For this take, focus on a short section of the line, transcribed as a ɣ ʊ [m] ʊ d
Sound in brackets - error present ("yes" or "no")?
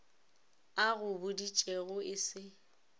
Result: yes